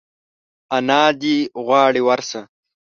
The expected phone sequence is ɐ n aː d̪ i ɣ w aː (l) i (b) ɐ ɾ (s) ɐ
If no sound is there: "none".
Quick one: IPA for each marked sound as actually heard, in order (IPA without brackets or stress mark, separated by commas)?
ɽ, w, s